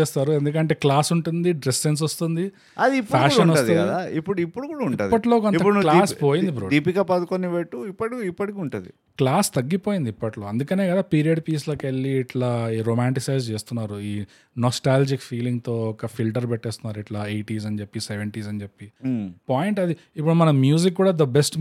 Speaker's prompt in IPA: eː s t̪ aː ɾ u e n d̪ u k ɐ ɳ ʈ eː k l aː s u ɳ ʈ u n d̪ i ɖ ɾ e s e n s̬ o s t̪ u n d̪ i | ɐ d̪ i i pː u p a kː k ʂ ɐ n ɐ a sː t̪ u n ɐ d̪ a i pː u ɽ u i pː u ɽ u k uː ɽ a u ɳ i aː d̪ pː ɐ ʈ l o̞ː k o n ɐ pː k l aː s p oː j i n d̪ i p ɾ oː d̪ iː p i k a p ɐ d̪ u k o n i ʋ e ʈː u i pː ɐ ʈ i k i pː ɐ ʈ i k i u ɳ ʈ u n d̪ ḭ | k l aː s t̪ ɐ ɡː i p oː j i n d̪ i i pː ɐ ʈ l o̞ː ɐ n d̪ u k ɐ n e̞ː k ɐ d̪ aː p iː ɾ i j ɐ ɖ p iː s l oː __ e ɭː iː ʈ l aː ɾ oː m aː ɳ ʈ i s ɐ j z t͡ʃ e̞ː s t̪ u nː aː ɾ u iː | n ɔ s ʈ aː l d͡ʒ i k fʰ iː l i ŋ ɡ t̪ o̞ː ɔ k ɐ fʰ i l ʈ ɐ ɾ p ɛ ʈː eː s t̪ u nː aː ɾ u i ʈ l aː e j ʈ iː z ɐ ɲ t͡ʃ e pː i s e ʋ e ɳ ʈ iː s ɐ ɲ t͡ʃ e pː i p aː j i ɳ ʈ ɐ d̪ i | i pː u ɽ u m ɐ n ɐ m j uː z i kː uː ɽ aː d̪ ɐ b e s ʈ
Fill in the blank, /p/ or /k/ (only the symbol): k